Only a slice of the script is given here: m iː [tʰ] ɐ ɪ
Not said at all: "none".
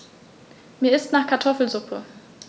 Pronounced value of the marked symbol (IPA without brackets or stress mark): none